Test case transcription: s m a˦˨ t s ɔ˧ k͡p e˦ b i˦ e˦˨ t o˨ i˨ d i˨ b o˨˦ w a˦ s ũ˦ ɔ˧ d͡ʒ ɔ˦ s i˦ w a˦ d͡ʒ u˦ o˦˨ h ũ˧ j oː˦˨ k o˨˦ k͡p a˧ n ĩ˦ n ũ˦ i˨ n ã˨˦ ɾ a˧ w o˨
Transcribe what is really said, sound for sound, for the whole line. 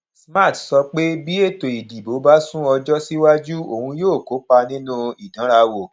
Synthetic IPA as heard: s m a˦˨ t s ɔ˧ k͡p e˦ b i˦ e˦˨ t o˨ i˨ d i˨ b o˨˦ b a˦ s ũ˦ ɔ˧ d͡ʒ ɔ˦ s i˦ w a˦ d͡ʒ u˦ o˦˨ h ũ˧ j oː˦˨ k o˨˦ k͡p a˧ n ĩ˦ n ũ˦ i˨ d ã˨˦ ɾ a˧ w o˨